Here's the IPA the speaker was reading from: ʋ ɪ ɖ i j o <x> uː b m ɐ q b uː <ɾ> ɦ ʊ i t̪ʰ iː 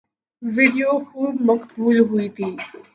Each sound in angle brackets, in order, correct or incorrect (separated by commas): correct, incorrect